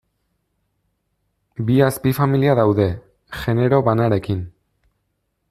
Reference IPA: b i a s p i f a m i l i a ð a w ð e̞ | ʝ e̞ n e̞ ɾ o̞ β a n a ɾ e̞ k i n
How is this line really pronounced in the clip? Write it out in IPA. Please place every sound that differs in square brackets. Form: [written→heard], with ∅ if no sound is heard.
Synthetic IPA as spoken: b i a s p i f a m i l i a ð a w ð e̞ | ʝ e̞ n e̞ ɾ o̞ β a n a ɾ e̞ k i n

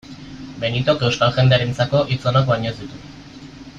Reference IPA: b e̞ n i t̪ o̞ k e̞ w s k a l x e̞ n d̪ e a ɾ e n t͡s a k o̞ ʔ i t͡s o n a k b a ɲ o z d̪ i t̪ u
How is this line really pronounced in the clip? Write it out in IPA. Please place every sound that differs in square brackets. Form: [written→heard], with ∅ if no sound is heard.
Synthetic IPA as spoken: b e̞ n i t̪ o̞ k e̞ w s k a l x e̞ n d̪ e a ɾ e n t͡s a k o̞ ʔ i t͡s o n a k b a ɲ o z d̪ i t̪ u

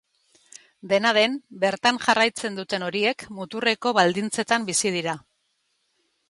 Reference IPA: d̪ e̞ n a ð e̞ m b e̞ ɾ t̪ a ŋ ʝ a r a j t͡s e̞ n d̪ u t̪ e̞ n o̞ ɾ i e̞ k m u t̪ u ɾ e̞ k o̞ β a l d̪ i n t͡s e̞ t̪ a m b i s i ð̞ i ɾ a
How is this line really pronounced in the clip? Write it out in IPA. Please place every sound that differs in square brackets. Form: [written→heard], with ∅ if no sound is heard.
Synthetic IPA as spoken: d̪ e̞ n a ð e̞ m b e̞ ɾ t̪ a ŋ ʝ a r a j t͡s e̞ n d̪ u t̪ e̞ n o̞ ɾ i e̞ k m u t̪ u [ɾ→r] e̞ k o̞ β a l d̪ i n t͡s e̞ t̪ a m b i s i ð̞ i ɾ a

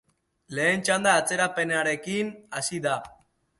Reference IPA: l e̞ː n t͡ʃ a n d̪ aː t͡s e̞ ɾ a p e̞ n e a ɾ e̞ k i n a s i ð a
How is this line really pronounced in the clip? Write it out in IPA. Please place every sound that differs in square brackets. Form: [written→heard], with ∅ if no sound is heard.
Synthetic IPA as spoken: l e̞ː n t͡ʃ a n d̪ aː t͡s e̞ ɾ a p e̞ n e a ɾ e̞ k i n a s i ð a

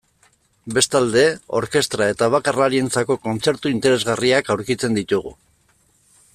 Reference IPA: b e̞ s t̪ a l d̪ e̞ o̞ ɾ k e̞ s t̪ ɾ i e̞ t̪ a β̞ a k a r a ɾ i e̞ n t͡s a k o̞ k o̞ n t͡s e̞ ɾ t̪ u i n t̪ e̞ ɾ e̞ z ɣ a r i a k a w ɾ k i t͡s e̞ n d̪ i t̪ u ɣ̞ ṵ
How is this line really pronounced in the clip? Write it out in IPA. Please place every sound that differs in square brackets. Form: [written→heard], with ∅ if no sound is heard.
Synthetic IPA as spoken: b e̞ s t̪ a l d̪ e̞ o̞ ɾ k e̞ s t̪ ɾ [i→a] e̞ t̪ a β̞ a k a r a ɾ i e̞ n t͡s a k o̞ k o̞ n t͡s e̞ ɾ t̪ u i n t̪ e̞ ɾ e̞ z ɣ a r i a k a w ɾ k i t͡s e̞ n d̪ i t̪ u ɣ̞ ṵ

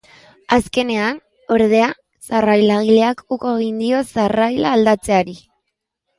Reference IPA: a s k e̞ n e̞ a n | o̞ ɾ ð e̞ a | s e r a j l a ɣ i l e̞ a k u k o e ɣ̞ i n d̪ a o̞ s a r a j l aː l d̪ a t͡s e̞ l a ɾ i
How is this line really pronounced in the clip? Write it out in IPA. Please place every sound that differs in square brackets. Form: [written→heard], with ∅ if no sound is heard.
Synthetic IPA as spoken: a s k e̞ n e̞ a n | o̞ ɾ ð e̞ a | s [e→a] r a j l a ɣ i l e̞ a k u k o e ɣ̞ i n d̪ [a→i] o̞ s a r a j l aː l d̪ a t͡s e̞ [l→∅] a ɾ i

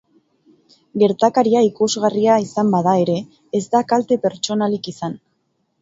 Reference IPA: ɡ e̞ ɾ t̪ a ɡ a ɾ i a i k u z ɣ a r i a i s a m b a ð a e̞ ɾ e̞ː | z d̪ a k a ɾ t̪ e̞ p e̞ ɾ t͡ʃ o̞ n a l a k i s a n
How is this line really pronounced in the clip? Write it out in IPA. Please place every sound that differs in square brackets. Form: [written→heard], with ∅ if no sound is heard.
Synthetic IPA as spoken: ɡ e̞ ɾ t̪ a [ɡ→k] a ɾ i a i k u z ɣ a r i a i s a m b a ð a e̞ ɾ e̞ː | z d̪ a k a [ɾ→l] t̪ e̞ p e̞ ɾ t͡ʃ o̞ n a l [a→i] k i s a n

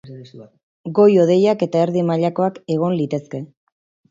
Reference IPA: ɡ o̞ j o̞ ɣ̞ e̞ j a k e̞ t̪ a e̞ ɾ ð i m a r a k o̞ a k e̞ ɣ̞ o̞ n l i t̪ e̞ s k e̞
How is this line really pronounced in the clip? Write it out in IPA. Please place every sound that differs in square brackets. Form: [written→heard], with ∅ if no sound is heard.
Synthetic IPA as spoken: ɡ o̞ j o̞ [ɣ̞→ð̞] e̞ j a k e̞ t̪ a e̞ ɾ ð i m a [r→ʎ] a k o̞ a k e̞ ɣ̞ o̞ n l i t̪ e̞ s k e̞

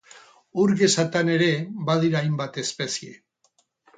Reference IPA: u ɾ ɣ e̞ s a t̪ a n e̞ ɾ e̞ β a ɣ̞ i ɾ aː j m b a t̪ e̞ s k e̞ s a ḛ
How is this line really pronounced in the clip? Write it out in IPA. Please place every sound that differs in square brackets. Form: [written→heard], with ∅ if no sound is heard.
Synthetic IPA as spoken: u ɾ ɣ e̞ s a t̪ a n e̞ ɾ e̞ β a [ɣ̞→ð̞] i ɾ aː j m b a t̪ e̞ s [k→p] e̞ s [a→i] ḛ

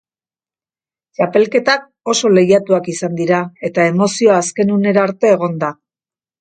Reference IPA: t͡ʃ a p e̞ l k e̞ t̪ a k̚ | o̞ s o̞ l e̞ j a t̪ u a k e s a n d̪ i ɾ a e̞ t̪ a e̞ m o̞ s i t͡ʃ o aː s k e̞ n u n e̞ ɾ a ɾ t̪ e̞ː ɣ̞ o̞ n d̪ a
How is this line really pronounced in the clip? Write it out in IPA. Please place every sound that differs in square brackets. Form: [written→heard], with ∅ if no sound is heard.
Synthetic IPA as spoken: t͡ʃ a p e̞ l k e̞ t̪ a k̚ | o̞ s o̞ l e̞ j a t̪ u a k [e→i] s a n d̪ i ɾ a e̞ t̪ a e̞ m o̞ s i [t͡ʃ→∅] o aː s k e̞ n u n e̞ ɾ a ɾ t̪ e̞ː ɣ̞ o̞ n d̪ a

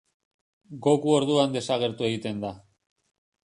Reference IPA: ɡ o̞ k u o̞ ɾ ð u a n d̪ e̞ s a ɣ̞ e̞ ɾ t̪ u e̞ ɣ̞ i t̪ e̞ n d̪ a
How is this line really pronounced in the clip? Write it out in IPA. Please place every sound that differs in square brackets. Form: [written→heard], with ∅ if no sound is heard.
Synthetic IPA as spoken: ɡ o̞ k u o̞ ɾ ð u a n d̪ e̞ s a ɣ̞ e̞ ɾ t̪ u e̞ ɣ̞ i t̪ e̞ n d̪ a

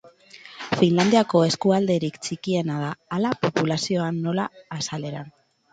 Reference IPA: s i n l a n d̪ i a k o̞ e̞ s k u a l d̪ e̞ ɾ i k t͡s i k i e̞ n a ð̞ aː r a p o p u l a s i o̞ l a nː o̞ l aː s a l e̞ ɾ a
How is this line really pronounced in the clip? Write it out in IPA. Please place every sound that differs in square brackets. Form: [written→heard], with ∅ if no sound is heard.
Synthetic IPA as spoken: [s→f] i n l a n d̪ i a k o̞ e̞ s k u a l d̪ e̞ ɾ i k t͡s i k i e̞ n a ð̞ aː [r→l] a p o p u l a s i o̞ [l→∅] a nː o̞ l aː s a l e̞ ɾ a

